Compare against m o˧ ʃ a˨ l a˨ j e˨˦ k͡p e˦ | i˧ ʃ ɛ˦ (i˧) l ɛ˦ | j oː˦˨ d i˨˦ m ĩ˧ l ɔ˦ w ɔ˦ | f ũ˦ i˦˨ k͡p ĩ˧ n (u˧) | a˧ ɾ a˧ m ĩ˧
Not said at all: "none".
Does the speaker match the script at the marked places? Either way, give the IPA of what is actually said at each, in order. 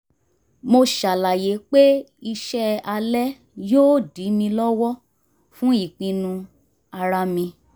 a˧, ũ˧

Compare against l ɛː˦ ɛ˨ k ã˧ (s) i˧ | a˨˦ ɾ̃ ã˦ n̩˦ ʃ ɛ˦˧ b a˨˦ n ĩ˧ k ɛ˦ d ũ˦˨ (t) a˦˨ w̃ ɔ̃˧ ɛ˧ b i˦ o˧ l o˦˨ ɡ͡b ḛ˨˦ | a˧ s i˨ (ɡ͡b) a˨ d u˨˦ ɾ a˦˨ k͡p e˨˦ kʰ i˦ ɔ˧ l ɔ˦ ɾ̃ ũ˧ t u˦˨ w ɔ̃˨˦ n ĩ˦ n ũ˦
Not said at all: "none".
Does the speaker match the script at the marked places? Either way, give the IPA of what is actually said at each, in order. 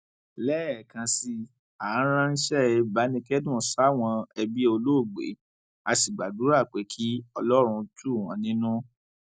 s, s, ɡ͡b

